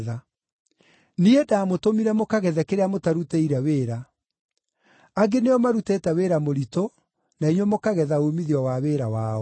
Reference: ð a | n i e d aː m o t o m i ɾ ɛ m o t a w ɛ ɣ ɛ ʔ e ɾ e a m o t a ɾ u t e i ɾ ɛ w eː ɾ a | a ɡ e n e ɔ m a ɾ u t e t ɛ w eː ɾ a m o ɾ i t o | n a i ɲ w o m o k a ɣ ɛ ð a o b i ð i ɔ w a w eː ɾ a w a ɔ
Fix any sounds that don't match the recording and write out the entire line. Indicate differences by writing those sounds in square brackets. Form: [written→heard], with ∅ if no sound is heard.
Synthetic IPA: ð a | n i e d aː m o t o m i ɾ ɛ m o [t→k] a [w→ɣ] ɛ [ɣ→ð] ɛ [ʔ→k] e ɾ e a m o t a ɾ u t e i ɾ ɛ w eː ɾ a | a ɡ e n e ɔ m a ɾ u t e t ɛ w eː ɾ a m o ɾ i t o | n a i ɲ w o m o k a ɣ ɛ ð a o [b→m] i ð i ɔ w a w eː ɾ a w a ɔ